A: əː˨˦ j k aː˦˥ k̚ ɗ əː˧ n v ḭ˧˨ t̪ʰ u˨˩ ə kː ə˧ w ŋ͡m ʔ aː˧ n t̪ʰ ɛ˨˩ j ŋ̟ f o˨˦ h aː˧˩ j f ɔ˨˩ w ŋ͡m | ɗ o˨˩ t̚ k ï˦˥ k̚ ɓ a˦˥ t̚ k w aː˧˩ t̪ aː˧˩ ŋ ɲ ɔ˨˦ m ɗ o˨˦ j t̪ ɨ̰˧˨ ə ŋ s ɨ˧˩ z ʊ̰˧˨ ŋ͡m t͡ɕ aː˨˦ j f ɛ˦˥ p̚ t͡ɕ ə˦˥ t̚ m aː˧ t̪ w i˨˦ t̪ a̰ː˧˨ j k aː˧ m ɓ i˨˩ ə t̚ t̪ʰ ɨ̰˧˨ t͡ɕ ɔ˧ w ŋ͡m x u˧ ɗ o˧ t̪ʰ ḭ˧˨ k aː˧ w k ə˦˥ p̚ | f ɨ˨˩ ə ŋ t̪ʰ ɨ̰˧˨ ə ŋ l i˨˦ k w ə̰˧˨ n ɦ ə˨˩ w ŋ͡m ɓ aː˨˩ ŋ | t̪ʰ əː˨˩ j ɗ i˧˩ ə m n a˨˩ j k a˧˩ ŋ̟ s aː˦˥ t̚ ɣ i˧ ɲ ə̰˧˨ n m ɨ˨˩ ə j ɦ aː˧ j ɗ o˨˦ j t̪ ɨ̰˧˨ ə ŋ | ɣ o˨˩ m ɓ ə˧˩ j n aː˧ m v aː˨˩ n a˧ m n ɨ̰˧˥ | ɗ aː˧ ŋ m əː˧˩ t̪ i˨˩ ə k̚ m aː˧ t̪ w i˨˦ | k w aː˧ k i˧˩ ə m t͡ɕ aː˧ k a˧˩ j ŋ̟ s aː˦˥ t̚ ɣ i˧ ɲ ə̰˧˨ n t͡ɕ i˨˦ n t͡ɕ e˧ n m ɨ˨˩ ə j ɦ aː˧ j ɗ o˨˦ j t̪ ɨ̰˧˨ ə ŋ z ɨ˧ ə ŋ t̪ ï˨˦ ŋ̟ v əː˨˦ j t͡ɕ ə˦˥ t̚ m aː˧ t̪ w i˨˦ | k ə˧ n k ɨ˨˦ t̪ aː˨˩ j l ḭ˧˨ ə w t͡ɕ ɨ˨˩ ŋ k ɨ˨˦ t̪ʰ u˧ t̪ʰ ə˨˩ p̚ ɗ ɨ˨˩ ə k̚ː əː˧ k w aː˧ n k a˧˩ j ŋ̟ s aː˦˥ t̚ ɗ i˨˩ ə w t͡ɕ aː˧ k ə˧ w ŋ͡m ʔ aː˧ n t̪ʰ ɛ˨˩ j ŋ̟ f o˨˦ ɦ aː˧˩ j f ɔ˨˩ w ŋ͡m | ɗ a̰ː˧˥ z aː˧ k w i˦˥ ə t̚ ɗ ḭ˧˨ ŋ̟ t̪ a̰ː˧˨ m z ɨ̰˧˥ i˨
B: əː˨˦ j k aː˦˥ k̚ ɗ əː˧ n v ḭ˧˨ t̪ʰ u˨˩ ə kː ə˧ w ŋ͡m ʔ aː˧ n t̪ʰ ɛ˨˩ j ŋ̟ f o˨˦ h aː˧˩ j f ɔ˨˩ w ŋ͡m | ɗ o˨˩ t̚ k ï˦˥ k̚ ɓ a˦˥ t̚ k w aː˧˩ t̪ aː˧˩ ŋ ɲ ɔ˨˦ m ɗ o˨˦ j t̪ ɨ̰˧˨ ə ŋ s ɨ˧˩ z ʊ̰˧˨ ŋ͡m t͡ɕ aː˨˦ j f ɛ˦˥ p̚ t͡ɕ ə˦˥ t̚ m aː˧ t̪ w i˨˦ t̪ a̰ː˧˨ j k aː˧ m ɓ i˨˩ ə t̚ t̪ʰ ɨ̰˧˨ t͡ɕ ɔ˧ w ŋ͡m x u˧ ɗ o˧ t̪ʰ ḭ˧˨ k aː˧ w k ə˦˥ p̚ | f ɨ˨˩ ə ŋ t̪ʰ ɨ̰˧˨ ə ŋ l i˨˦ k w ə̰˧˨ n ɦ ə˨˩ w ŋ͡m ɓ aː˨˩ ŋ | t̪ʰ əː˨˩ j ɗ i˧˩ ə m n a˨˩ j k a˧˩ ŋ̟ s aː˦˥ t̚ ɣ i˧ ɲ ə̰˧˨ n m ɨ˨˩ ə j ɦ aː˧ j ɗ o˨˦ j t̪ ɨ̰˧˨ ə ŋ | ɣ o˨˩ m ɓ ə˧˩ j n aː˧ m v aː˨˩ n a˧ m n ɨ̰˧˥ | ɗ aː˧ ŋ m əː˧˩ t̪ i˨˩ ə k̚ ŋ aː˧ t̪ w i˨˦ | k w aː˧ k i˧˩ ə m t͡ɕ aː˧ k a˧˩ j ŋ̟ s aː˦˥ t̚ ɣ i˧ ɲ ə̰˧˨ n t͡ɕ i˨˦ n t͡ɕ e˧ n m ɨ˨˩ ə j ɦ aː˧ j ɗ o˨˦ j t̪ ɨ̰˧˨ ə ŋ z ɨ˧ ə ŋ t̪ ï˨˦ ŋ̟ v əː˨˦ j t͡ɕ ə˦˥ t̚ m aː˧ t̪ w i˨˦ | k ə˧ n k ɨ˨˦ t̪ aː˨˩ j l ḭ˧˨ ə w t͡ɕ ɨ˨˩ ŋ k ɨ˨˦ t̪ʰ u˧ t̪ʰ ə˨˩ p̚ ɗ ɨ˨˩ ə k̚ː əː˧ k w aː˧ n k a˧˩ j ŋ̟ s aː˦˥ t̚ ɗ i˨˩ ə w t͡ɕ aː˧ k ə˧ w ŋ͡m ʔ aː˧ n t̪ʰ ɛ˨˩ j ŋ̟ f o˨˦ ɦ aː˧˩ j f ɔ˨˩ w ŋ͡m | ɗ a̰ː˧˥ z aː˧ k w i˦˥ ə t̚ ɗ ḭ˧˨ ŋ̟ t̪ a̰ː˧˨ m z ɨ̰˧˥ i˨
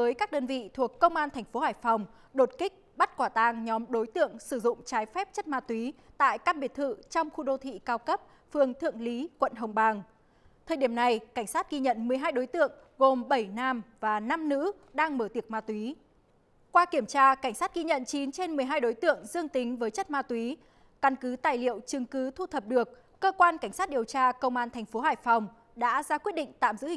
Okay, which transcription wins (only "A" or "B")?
A